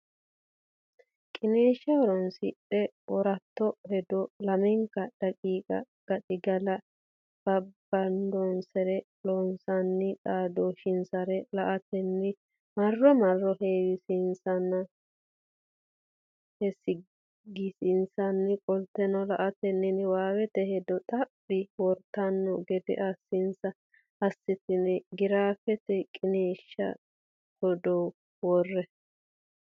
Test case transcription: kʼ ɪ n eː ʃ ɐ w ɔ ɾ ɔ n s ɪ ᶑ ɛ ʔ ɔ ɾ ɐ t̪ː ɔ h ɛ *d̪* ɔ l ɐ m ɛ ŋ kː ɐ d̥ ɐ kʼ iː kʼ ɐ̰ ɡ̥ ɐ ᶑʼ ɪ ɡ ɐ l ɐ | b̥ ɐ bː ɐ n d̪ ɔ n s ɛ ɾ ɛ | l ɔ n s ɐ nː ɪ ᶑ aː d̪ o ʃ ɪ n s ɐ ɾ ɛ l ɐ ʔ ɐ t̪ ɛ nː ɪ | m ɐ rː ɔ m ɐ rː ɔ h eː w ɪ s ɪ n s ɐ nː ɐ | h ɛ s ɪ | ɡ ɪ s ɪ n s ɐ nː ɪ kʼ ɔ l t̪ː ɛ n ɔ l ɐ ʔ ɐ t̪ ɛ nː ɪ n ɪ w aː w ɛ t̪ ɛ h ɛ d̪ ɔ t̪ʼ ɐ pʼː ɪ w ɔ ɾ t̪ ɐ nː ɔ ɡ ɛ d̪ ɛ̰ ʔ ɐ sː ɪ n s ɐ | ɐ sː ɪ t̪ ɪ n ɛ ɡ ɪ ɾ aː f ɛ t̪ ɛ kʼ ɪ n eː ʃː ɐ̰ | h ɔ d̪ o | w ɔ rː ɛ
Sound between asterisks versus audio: correct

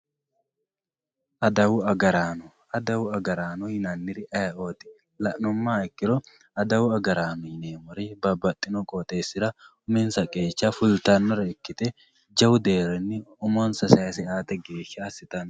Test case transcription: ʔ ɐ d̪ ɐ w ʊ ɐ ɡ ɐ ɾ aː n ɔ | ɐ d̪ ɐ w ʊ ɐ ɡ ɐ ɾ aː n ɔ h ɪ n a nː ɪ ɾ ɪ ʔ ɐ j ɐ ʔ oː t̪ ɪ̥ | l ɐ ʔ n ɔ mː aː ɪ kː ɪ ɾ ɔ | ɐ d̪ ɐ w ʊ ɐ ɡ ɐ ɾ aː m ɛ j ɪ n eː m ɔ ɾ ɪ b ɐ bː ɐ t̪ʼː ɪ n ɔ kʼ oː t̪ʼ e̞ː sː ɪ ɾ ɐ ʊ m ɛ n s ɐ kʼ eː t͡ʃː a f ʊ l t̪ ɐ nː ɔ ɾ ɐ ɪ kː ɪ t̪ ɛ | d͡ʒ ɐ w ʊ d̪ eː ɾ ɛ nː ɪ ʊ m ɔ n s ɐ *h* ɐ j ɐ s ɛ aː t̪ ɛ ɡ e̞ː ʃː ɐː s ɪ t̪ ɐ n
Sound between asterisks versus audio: incorrect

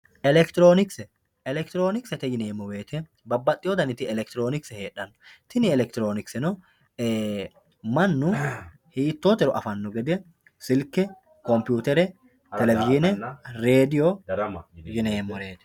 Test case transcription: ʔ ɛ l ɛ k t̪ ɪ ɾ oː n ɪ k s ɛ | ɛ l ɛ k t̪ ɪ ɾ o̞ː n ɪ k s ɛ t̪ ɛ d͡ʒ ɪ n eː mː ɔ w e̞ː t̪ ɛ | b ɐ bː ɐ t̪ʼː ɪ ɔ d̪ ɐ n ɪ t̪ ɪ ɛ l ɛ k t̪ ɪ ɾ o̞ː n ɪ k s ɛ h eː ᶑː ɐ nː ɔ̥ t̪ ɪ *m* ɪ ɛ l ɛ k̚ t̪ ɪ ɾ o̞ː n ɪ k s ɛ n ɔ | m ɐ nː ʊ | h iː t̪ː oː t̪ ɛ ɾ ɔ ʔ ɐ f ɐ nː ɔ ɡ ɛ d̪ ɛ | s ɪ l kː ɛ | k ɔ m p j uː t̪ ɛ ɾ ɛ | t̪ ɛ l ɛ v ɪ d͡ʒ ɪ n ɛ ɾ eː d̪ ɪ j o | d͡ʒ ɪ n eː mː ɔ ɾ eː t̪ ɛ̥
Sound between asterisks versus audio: incorrect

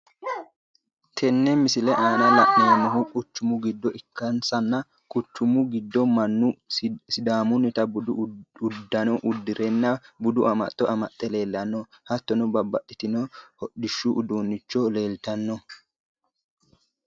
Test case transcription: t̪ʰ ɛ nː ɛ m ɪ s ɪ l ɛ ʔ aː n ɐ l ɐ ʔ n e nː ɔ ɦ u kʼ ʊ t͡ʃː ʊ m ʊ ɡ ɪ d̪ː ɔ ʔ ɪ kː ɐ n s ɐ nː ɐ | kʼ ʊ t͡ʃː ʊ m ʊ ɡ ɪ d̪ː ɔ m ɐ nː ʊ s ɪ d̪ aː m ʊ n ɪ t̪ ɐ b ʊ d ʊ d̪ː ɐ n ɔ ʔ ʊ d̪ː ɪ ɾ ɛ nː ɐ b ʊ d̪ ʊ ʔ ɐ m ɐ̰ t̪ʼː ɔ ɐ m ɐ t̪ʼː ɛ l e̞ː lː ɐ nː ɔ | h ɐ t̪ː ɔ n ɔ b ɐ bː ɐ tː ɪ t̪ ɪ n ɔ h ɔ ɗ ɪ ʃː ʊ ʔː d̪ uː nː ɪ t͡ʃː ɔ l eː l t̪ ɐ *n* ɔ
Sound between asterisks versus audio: incorrect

